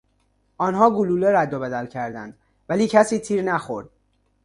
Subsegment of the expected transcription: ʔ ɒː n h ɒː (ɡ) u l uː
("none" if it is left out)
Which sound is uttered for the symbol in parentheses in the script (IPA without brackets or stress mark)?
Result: ɡ